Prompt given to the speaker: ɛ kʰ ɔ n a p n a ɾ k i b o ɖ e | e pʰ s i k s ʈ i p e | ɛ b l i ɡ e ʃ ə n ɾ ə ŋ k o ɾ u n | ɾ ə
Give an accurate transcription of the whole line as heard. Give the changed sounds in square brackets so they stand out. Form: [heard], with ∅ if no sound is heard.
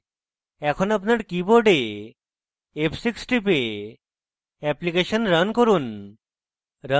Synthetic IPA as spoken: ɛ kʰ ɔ n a p n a ɾ k i b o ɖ e | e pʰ s i k s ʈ i p e | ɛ [p] l i [k] e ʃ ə n ɾ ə [n] k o ɾ u n | ɾ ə